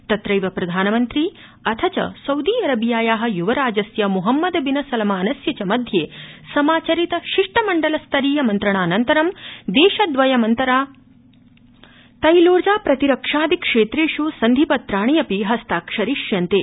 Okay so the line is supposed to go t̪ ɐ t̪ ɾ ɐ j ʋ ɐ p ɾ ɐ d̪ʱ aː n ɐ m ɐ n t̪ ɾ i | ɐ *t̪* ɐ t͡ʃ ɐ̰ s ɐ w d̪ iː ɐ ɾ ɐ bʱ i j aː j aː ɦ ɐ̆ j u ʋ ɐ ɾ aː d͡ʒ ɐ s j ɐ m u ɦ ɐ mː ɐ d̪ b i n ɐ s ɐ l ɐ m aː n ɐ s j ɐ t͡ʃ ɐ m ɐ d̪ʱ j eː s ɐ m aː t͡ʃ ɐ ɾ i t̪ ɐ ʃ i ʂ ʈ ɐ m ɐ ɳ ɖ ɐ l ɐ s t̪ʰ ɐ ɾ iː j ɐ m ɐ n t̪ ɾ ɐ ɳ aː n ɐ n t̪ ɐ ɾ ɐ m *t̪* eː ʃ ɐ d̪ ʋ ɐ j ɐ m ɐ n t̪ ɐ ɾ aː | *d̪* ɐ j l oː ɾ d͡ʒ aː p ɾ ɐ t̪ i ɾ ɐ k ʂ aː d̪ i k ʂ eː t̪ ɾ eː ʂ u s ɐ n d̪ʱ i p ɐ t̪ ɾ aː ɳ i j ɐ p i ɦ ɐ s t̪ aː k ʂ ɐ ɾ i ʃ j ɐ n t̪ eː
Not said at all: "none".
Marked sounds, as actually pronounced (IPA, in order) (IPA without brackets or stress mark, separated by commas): t̪ʰ, d̪, t̪